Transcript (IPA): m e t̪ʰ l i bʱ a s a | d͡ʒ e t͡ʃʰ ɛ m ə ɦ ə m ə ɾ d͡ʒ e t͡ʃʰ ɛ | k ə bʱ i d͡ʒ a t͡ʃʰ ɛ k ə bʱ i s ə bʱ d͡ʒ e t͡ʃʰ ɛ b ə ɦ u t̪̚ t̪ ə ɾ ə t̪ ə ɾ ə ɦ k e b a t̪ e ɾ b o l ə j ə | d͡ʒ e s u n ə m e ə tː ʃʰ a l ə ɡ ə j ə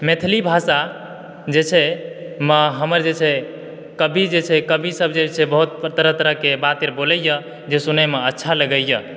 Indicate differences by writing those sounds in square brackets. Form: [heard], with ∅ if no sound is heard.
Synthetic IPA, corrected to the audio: m e t̪ʰ l i bʱ a s a | d͡ʒ e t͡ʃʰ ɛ m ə ɦ ə m ə ɾ d͡ʒ e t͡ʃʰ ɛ | k ə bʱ i d͡ʒ [e] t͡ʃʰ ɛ k ə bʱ i s ə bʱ d͡ʒ e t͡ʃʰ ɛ b ə ɦ u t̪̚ t̪ ə ɾ ə t̪ ə ɾ ə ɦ k e b a t̪ e ɾ b o l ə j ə | d͡ʒ e s u n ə m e ə tː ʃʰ a l ə ɡ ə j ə